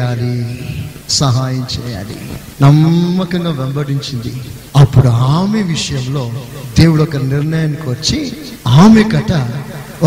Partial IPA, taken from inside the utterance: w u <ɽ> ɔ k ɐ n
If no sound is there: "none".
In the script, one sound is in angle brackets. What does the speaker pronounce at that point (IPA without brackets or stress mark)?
ɽ